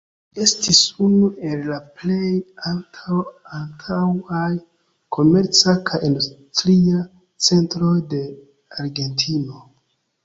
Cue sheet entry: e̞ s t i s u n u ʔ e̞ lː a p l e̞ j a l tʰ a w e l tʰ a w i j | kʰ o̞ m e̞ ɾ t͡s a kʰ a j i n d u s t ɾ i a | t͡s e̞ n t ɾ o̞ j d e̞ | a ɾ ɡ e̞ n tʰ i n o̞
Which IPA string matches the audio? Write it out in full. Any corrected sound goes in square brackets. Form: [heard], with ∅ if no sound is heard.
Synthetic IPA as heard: e̞ s t i s u n u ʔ e̞ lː a p l e̞ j a l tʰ a w [a] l tʰ a w [a] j | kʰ o̞ m e̞ ɾ t͡s a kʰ a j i n d u s t ɾ i a | t͡s e̞ n t ɾ o̞ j d e̞ | a ɾ ɡ e̞ n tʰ i n o̞